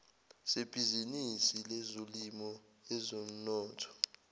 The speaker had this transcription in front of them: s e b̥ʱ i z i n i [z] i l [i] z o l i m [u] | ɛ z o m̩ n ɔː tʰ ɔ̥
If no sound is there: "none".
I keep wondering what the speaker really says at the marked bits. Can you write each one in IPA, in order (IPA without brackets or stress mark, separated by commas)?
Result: s, ɛ, ɔ